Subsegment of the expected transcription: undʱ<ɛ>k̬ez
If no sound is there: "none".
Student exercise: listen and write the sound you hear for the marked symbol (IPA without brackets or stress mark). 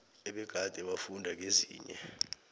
a